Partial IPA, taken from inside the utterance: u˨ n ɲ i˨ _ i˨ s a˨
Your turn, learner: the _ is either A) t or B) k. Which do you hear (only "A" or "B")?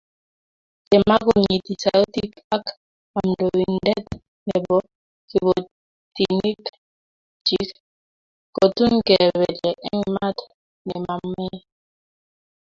A